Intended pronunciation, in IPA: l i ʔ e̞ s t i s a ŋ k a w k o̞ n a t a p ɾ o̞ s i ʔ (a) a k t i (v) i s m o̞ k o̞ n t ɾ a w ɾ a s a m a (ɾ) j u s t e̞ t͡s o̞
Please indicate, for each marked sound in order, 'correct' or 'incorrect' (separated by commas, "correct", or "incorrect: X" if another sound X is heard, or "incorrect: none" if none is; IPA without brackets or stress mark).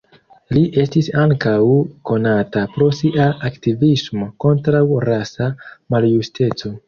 correct, correct, incorrect: l